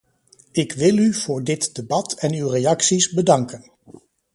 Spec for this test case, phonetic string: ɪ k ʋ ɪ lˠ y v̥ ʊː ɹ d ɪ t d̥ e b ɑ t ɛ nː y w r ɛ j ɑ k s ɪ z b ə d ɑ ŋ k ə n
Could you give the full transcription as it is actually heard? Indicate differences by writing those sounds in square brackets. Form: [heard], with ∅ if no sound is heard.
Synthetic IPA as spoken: ɪ k ʋ ɪ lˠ y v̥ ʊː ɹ d ɪ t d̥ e b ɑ t ɛ [n] y w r [e] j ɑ k s [i] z b ə d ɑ ŋ k ə n